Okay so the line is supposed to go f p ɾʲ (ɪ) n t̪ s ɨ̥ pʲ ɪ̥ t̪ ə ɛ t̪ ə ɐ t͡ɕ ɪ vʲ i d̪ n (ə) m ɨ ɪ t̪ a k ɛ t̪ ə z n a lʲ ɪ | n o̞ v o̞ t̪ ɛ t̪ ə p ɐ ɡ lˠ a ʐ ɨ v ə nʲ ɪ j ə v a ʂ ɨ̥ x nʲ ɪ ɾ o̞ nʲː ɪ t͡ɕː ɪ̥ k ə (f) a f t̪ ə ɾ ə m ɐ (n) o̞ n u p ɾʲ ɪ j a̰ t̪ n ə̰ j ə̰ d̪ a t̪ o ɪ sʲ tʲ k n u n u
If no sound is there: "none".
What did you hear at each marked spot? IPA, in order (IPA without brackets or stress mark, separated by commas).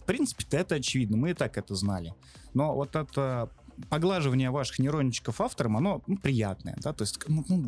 i, ə, f, n